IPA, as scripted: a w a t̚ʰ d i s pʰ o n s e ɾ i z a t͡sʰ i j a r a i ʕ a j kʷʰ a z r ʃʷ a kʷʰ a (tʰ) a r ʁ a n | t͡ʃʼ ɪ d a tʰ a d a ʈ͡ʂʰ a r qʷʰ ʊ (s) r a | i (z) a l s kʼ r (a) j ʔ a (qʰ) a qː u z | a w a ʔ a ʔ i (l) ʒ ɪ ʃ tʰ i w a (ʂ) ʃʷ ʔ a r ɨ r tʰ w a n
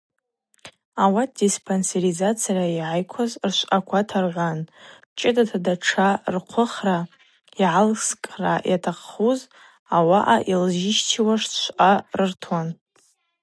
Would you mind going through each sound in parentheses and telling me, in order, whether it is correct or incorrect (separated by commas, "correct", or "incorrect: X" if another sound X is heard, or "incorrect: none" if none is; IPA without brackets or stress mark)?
correct, incorrect: χ, incorrect: ʕ, correct, incorrect: tʰ, correct, correct